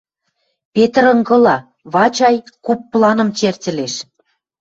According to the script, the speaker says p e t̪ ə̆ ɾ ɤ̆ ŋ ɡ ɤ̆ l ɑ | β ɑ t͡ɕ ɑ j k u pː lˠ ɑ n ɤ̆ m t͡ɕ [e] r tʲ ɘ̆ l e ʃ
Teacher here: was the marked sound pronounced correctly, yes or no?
yes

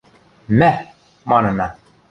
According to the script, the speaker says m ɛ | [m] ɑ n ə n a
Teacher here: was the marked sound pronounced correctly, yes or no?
yes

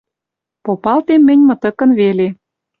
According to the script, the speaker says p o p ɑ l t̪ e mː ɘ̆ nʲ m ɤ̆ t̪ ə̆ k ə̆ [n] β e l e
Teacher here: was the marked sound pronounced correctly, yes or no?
yes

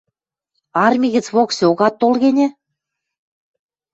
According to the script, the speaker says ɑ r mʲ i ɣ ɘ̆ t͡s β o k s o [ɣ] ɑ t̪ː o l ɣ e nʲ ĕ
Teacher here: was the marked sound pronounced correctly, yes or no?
yes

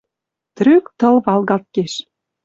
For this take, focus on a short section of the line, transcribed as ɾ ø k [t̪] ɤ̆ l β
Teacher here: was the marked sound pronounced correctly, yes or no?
yes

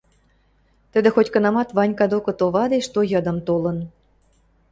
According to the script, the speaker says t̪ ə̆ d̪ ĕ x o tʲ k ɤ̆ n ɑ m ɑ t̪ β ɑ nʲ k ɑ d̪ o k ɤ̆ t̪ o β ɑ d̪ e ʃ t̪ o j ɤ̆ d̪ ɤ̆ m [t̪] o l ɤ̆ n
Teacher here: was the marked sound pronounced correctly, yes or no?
yes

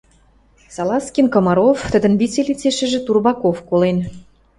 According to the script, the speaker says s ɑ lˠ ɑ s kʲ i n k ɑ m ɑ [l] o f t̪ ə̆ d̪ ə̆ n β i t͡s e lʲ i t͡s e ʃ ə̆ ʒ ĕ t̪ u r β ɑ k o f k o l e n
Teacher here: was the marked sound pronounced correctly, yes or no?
no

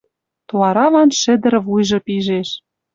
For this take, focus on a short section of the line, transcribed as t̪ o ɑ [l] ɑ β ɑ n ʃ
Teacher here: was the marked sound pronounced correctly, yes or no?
no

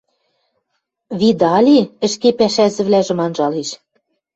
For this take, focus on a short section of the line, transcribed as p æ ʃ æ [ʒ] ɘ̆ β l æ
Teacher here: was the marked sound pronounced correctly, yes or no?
no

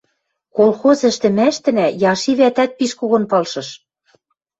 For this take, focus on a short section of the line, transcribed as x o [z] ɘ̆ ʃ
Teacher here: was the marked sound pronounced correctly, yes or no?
yes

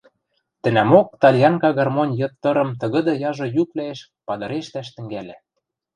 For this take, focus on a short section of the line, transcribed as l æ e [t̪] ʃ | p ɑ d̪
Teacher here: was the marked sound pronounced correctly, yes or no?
no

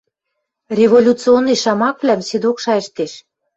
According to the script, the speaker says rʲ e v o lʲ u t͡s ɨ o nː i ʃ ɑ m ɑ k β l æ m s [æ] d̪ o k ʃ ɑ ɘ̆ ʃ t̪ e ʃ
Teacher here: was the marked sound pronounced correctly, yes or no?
no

